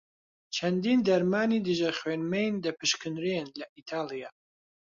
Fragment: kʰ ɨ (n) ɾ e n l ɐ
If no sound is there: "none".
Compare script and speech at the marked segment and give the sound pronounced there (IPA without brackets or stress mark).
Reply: n